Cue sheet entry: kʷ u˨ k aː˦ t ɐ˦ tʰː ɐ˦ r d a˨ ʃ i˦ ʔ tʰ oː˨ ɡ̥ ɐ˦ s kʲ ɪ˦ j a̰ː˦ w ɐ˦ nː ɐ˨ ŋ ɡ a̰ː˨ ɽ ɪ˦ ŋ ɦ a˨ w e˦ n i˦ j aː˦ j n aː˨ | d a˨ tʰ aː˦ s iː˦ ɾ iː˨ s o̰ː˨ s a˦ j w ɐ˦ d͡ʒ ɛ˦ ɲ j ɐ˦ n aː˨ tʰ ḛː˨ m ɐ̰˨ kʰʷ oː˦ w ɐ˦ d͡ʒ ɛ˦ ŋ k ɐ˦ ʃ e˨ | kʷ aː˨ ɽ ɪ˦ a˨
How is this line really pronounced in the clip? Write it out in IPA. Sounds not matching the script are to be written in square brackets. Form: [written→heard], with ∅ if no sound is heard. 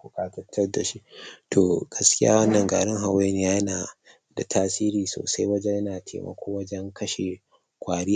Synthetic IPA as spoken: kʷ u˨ k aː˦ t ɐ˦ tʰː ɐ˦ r d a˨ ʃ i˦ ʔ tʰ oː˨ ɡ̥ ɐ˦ s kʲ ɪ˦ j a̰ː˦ w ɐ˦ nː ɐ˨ ŋ ɡ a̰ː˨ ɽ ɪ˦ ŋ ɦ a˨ w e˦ n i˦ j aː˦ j n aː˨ | d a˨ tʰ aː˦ s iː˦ ɾ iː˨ s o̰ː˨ s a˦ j w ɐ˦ d͡ʒ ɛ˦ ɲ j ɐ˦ n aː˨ tʰ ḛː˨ m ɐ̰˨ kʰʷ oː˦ w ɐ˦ d͡ʒ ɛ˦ ŋ k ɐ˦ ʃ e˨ | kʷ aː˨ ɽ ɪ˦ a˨